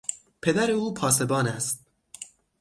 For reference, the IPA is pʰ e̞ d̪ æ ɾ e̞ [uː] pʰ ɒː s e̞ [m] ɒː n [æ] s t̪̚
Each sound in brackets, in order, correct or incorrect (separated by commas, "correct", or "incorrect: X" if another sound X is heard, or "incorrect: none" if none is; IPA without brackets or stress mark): correct, incorrect: b, correct